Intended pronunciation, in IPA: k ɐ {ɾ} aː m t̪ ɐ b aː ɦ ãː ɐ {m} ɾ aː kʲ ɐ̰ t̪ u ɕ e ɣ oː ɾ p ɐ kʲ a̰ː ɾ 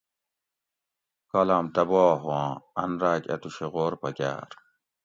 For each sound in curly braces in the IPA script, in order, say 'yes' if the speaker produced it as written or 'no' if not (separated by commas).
no, no